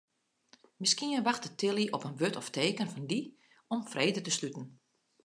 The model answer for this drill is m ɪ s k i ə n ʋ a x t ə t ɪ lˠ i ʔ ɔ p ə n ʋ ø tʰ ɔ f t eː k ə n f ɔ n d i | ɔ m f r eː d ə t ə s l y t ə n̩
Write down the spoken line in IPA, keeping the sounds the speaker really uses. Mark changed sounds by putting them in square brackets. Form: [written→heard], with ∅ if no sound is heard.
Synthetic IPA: m ɪ s k i ə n ʋ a x t ə t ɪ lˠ i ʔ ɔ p ə n ʋ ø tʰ ɔ f t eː k ə n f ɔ n d i | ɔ m f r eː d ə t ə s l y t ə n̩